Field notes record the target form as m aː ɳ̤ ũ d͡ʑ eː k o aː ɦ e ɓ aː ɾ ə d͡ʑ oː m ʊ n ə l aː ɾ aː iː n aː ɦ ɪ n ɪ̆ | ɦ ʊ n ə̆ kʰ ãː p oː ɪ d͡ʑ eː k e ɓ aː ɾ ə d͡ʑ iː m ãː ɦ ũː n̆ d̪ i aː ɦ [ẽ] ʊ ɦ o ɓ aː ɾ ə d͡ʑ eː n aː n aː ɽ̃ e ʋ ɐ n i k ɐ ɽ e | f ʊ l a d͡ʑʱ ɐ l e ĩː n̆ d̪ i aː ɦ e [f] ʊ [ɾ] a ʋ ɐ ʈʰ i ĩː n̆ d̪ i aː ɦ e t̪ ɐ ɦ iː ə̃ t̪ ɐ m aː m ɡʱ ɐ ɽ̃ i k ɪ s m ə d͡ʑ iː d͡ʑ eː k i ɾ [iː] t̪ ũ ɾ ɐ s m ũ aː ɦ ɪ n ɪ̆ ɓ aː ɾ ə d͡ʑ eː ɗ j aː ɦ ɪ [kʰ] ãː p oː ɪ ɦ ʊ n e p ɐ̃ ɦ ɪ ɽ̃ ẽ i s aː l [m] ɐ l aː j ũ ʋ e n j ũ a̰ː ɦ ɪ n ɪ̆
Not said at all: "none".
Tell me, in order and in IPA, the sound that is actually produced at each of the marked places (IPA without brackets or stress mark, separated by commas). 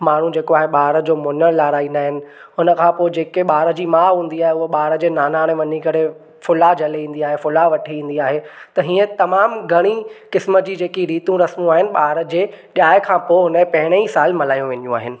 e, f, l, iː, kʰ, m